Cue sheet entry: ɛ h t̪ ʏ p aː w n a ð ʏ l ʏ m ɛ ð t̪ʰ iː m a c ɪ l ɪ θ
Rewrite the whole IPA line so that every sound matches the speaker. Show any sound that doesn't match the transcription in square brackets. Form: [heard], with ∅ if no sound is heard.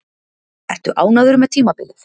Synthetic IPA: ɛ h t̪ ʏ [ʔ] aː w n a ð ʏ [ɾ] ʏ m ɛ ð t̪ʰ iː m a [p] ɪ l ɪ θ